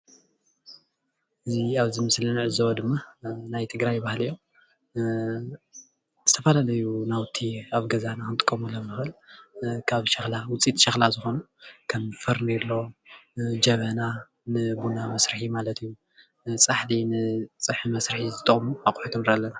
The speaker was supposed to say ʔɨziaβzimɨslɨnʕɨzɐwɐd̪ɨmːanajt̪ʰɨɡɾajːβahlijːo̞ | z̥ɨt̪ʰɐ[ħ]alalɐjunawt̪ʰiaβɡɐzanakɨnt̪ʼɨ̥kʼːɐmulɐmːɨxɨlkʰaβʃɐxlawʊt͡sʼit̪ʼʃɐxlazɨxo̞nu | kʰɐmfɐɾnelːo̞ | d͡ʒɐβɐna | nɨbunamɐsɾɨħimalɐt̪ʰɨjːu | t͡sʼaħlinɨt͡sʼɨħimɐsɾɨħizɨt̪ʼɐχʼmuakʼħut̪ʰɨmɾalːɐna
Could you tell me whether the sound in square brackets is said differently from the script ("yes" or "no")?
yes